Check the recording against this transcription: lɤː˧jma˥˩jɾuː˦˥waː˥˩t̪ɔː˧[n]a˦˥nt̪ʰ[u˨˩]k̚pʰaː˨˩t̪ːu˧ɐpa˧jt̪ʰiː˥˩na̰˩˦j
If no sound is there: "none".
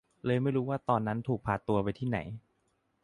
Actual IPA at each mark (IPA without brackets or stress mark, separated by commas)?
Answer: nː, uː˨˩